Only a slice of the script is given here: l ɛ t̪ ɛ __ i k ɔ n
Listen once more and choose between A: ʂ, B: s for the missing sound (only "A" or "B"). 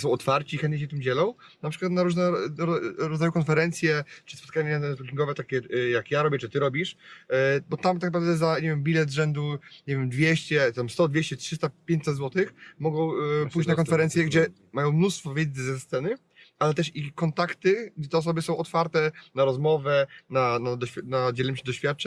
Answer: A